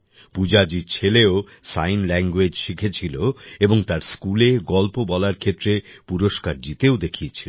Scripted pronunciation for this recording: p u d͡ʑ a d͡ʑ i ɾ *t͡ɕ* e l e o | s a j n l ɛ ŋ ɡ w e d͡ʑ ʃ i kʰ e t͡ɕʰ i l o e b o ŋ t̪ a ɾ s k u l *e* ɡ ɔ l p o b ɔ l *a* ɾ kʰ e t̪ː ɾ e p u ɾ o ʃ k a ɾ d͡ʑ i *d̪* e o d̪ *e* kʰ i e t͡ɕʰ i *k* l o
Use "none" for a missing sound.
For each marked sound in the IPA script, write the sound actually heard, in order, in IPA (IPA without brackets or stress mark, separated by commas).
t͡ɕʰ, e, a, t̪, e, none